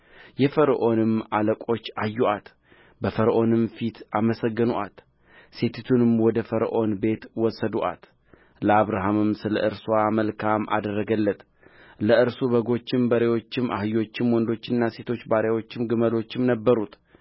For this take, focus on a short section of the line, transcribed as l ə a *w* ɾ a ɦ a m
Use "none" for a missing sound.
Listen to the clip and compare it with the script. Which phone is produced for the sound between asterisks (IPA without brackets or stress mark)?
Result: β